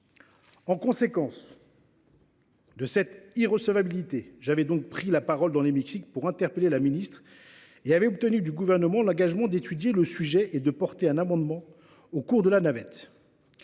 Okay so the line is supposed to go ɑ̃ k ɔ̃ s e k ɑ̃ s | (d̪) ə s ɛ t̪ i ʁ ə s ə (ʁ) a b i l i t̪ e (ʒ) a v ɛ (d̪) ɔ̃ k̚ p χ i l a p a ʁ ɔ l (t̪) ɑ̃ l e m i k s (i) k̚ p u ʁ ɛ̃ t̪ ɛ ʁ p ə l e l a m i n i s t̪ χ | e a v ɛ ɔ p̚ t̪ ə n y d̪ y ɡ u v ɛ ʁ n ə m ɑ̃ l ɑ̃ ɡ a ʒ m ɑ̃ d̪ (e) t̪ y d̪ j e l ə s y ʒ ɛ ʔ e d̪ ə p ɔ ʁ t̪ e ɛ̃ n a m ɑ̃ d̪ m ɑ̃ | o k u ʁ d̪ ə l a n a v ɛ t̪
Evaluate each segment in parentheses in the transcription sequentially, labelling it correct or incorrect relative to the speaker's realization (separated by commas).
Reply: correct, incorrect, correct, correct, incorrect, correct, correct